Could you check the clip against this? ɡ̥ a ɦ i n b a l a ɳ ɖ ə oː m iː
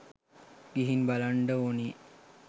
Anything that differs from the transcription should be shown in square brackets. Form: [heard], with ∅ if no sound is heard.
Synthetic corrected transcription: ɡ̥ [i] ɦ i n b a l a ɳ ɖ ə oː [n] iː